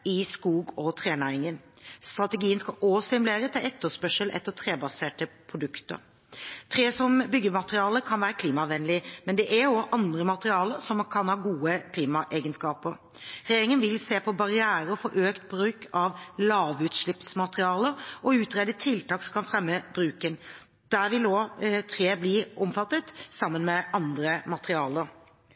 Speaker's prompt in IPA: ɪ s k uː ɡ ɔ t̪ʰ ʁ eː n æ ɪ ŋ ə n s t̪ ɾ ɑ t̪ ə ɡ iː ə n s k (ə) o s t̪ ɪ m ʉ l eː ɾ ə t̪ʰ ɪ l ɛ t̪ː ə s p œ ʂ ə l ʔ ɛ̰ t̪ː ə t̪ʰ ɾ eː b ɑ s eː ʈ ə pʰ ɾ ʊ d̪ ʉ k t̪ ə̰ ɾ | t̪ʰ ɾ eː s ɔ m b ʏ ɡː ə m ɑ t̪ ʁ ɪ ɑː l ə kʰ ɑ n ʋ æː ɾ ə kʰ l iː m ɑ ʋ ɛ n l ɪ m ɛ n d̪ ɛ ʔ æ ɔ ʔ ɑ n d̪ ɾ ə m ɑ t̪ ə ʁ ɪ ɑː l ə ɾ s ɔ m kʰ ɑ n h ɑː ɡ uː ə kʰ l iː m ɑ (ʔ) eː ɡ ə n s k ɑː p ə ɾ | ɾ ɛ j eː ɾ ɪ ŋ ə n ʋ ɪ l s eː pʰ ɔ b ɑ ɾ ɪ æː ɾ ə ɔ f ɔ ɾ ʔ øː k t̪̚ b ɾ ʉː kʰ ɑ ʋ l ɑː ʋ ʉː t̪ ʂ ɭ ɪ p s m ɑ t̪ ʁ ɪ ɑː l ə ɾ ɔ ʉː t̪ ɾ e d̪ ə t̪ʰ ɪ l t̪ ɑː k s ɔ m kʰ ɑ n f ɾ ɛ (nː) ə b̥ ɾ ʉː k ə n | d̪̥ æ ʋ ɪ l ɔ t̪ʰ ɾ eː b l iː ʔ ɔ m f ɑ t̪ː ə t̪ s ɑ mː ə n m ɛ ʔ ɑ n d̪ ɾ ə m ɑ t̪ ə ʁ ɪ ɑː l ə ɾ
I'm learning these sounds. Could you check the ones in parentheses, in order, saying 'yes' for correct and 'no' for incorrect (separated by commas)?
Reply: no, yes, no